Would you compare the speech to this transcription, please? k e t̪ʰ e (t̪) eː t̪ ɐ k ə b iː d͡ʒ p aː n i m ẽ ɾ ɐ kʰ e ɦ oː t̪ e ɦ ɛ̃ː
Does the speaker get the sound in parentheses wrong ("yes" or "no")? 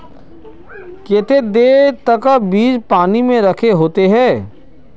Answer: yes